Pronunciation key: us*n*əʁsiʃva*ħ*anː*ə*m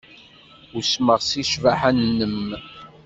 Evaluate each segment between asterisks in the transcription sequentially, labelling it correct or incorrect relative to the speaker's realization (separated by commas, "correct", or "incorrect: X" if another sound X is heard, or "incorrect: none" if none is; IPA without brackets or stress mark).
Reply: incorrect: m, correct, correct